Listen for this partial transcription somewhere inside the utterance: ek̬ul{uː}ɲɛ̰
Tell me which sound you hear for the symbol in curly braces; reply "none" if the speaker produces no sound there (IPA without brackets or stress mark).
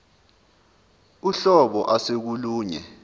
uː